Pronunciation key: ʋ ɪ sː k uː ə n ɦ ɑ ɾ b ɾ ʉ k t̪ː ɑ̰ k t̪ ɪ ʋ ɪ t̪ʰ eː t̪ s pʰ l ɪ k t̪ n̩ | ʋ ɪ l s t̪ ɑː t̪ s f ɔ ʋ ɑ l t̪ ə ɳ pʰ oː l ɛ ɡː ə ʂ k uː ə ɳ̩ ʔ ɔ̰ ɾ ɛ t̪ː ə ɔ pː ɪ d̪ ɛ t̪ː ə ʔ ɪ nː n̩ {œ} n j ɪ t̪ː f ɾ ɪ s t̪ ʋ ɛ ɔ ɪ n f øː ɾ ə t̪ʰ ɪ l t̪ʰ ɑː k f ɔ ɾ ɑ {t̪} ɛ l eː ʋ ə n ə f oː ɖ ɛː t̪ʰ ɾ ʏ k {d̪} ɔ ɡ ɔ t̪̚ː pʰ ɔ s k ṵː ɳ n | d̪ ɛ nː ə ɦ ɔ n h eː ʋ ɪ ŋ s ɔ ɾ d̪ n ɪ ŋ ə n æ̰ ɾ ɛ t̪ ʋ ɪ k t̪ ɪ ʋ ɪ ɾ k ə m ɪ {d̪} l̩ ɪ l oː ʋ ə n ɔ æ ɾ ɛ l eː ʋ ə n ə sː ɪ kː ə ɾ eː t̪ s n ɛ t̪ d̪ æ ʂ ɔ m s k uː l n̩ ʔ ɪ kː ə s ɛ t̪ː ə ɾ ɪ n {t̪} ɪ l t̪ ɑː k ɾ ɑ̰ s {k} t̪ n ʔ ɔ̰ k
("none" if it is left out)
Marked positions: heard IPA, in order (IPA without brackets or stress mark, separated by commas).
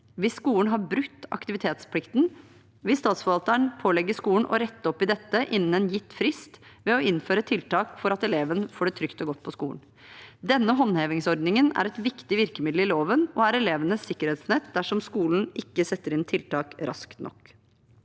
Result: ɛ, t̪, t̪, d̪, t̪ʰ, k